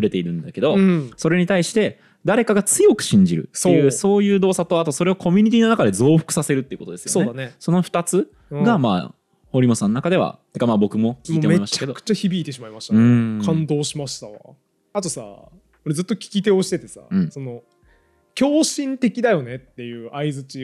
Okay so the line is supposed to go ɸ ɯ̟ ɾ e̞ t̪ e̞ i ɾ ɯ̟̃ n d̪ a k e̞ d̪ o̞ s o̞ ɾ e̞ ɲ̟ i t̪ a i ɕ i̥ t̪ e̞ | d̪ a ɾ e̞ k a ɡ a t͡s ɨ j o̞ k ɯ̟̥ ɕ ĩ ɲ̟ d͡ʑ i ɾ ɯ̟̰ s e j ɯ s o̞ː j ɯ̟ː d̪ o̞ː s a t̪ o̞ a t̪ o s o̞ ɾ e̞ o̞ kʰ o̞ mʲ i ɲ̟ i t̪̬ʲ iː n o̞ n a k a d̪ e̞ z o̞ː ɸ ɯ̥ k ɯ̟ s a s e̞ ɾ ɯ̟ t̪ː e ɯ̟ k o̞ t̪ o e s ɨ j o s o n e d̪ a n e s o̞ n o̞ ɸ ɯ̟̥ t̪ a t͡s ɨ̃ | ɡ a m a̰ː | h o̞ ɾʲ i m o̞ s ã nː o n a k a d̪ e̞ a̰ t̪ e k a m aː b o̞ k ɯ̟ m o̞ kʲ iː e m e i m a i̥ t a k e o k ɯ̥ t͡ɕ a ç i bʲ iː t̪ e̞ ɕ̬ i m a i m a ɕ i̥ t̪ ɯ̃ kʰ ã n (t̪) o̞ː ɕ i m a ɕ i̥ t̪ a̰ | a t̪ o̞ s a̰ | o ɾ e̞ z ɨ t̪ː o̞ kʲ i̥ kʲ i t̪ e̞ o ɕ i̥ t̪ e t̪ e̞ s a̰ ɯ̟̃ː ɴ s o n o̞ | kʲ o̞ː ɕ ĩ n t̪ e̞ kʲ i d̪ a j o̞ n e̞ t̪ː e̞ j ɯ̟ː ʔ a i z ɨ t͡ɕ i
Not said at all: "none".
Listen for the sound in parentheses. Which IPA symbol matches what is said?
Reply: d̪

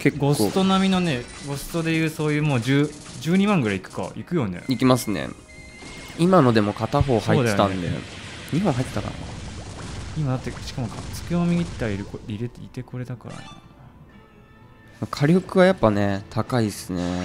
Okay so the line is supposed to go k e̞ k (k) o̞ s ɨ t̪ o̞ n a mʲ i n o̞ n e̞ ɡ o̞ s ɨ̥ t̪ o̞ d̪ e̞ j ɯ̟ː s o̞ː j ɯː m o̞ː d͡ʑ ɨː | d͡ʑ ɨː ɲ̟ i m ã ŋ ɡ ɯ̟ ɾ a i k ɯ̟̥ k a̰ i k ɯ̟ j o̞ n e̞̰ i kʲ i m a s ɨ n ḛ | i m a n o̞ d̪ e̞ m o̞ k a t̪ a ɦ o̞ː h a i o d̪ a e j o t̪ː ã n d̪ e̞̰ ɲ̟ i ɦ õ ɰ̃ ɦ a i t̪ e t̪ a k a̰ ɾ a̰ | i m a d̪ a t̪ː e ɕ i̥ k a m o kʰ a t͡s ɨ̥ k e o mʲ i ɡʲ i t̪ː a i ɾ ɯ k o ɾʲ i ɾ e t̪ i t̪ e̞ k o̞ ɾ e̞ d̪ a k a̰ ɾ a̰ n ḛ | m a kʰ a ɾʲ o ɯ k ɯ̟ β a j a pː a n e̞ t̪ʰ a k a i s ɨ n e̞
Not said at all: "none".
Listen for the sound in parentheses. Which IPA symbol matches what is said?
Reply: ɡ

